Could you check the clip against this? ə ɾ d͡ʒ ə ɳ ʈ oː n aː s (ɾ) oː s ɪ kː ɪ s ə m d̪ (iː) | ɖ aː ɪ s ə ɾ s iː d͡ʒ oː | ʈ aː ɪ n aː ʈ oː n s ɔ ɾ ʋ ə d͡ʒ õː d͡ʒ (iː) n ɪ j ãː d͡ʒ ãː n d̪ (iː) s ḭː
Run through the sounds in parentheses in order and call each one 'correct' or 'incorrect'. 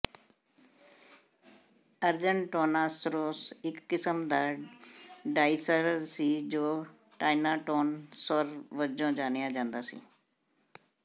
correct, incorrect, incorrect, incorrect

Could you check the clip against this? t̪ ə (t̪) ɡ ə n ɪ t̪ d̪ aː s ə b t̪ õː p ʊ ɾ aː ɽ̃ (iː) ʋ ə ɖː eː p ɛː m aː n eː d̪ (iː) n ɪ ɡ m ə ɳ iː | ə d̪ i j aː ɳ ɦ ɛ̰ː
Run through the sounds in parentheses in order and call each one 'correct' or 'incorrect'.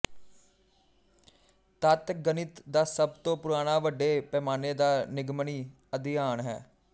correct, incorrect, incorrect

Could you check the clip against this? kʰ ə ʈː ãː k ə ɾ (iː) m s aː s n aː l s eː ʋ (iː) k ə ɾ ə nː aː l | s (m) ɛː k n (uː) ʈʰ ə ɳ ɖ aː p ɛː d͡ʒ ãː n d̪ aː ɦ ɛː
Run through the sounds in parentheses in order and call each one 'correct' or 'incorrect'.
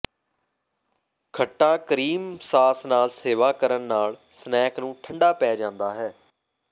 correct, incorrect, incorrect, incorrect

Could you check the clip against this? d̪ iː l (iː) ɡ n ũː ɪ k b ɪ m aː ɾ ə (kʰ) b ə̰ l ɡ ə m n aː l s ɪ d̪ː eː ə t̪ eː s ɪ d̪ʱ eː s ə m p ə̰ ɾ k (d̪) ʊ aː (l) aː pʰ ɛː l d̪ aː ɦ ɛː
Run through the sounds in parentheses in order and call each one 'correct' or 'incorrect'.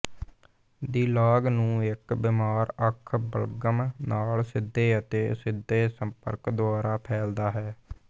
incorrect, correct, correct, incorrect

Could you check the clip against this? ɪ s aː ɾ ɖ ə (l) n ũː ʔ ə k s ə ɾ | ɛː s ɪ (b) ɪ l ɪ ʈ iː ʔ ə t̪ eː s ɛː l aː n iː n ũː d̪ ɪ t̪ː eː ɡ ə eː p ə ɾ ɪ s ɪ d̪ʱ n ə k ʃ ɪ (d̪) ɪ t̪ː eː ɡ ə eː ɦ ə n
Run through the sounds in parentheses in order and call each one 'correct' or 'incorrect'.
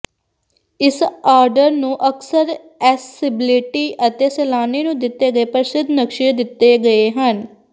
incorrect, correct, correct

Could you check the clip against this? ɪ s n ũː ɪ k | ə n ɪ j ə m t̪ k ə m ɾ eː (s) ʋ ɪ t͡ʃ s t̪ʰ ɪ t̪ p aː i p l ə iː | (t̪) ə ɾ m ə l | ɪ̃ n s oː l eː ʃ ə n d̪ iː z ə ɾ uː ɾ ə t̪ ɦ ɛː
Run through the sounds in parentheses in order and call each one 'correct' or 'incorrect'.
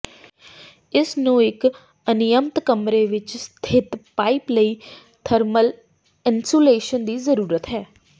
incorrect, incorrect

